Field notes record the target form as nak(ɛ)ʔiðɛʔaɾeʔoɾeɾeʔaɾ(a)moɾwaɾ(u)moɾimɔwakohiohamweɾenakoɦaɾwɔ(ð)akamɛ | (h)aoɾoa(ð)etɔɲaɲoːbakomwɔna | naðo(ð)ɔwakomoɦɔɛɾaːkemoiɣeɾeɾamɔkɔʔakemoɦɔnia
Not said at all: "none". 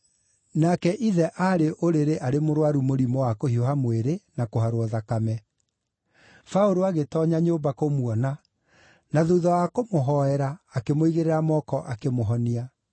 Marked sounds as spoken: ɛ, e, u, ð, f, ɣ, ð

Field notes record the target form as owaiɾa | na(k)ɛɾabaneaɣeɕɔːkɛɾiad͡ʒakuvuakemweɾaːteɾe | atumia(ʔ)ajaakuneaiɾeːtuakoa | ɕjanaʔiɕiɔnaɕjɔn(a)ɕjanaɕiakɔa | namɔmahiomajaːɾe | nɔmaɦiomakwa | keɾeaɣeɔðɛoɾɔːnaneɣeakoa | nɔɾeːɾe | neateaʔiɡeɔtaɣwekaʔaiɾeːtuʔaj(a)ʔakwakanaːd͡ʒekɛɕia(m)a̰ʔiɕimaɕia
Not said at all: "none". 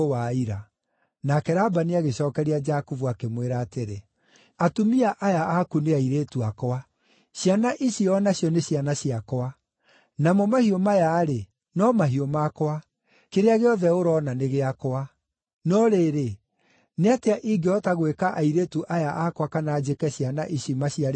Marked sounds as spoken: k, ʔ, e, a, n

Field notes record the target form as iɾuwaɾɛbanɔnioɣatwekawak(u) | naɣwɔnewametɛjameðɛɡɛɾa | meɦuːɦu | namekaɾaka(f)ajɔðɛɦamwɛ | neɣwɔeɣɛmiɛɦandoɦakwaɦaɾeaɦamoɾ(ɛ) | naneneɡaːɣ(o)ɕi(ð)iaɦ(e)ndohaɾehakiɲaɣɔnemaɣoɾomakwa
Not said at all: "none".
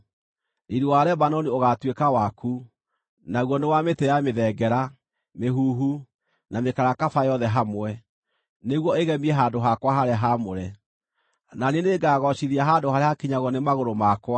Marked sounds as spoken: u, f, ɛ, ɔ, ð, a

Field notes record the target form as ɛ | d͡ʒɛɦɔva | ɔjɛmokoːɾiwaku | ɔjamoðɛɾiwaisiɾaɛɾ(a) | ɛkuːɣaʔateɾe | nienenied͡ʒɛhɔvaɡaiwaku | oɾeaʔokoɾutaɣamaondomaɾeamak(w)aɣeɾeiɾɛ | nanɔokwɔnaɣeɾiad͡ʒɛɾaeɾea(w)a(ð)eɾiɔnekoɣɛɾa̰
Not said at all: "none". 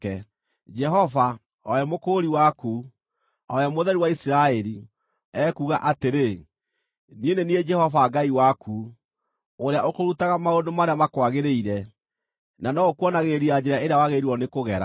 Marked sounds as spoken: i, w, w, ɣ

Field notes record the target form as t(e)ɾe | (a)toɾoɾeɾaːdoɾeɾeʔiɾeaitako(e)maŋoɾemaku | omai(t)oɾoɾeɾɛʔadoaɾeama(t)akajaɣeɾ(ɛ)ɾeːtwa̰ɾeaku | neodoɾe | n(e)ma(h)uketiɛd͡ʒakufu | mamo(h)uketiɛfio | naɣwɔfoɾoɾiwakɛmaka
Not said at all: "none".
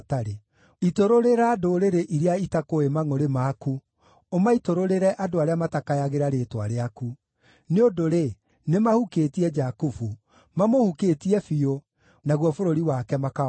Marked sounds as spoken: a, i, e, t, t, a, e, h, h

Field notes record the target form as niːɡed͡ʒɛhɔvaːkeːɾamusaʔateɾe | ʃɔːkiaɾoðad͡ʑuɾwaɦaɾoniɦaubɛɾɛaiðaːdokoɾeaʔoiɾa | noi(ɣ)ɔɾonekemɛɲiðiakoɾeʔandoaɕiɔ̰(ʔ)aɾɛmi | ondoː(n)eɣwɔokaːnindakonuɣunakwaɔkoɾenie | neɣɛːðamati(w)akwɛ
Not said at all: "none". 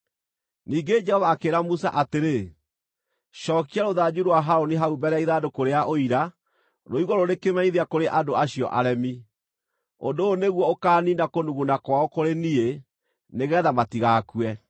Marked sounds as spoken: ɣ, ʔ, n, ɣ

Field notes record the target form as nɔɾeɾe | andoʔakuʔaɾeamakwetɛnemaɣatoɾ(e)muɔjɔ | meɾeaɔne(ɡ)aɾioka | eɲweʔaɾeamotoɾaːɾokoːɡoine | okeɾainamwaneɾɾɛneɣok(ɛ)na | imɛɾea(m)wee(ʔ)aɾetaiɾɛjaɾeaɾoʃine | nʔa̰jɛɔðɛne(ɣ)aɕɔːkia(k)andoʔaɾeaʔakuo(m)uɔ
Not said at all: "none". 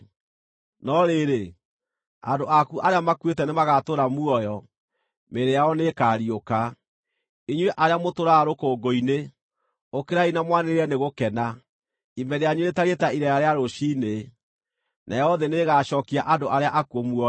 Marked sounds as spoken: a, k, ɛ, ɲ, t, ɣ, ʔ, m

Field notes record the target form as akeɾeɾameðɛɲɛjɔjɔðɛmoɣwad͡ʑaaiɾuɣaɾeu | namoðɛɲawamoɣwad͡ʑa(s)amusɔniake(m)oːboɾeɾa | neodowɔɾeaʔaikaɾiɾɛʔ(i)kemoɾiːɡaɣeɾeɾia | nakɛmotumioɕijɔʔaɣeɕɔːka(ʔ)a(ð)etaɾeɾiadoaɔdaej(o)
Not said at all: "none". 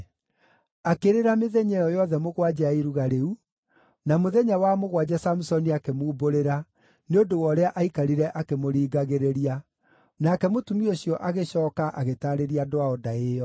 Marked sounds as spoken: s, m, a, ʔ, ɣ, ɔ

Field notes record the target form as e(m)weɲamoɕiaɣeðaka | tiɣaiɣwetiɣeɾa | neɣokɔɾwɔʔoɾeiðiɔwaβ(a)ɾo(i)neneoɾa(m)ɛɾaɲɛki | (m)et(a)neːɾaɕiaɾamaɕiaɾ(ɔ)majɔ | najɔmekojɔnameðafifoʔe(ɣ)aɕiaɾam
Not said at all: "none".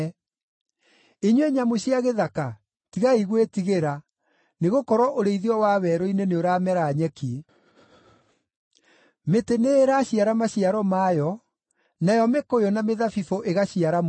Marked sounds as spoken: ɲ, ɛ, i, m, m, e, ɔ, ɣ

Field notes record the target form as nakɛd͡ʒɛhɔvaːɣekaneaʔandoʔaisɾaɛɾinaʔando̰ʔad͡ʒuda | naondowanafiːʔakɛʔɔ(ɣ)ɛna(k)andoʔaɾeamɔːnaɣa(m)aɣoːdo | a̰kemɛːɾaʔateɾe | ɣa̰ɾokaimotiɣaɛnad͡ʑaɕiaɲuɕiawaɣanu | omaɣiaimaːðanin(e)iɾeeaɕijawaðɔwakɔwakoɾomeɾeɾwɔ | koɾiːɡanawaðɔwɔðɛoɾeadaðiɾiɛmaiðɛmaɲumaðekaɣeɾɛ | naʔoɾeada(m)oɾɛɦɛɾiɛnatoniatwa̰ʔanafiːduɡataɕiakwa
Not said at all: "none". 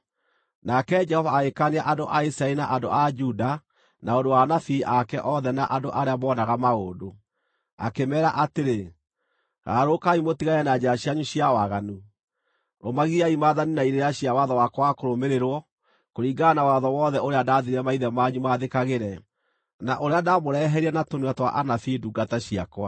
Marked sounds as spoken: ð, ʔ, m, a, m

